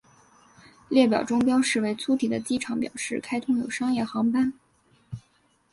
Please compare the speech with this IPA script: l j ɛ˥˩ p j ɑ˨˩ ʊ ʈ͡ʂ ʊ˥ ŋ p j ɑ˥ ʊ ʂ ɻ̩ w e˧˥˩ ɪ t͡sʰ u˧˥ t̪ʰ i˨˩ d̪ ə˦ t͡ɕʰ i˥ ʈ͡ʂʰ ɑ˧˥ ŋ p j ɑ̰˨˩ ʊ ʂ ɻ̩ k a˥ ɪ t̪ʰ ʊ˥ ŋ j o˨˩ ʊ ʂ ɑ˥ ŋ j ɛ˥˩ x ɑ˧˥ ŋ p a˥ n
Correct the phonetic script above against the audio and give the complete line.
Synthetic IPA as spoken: l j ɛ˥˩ p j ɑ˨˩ ʊ ʈ͡ʂ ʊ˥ ŋ p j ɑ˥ ʊ ʂ ɻ̩ w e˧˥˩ ɪ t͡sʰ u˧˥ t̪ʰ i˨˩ d̪ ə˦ t͡ɕ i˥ ʈ͡ʂʰ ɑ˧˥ ŋ p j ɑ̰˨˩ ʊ ʂ ɻ̩ kʰ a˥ ɪ t̪ʰ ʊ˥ ŋ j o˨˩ ʊ ʂ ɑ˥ ŋ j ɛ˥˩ x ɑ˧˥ ŋ p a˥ n